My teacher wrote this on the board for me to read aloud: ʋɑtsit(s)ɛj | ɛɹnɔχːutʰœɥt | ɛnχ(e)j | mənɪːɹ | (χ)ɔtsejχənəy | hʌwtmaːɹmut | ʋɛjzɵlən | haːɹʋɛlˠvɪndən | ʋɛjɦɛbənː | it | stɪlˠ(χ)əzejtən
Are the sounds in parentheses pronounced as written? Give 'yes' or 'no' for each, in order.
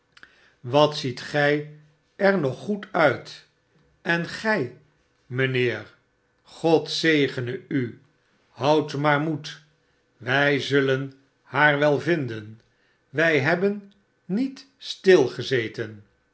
no, no, yes, yes

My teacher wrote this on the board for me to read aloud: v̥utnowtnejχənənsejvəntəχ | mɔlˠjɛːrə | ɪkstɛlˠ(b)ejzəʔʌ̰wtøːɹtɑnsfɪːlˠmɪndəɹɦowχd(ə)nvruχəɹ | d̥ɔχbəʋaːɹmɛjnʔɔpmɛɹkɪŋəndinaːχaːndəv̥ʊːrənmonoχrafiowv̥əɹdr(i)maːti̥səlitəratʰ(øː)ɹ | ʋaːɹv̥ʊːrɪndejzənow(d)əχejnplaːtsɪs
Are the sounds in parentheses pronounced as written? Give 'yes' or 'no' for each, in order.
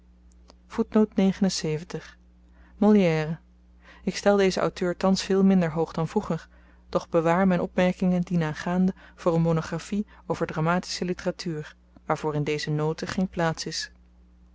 no, no, no, no, no

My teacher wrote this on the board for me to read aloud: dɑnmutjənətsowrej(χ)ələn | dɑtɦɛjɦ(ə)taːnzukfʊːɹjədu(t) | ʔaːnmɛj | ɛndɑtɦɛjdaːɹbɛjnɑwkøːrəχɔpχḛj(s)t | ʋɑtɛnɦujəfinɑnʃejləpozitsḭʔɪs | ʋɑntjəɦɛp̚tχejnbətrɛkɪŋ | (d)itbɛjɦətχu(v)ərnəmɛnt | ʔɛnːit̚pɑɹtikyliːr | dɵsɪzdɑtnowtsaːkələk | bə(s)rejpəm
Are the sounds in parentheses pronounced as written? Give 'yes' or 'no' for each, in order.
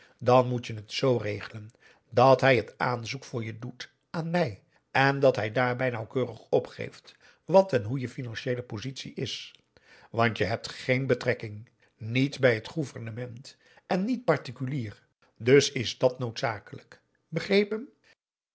yes, yes, yes, no, no, yes, no

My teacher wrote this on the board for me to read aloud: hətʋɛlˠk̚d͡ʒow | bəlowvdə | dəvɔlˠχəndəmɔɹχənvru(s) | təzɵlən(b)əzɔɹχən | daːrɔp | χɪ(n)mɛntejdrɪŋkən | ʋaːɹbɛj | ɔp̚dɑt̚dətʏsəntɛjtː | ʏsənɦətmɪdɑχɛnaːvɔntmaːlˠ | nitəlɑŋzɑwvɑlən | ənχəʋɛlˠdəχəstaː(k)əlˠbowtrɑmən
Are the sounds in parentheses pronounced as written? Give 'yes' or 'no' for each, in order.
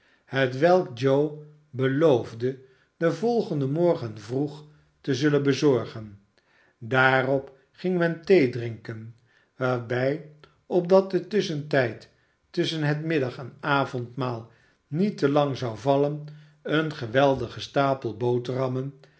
no, yes, no, no

